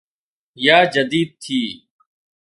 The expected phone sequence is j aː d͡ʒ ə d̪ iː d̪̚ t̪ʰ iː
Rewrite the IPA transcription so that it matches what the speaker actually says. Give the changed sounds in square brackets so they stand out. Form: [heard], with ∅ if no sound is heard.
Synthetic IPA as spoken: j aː d͡ʒ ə d̪ iː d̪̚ t̪ʰ iː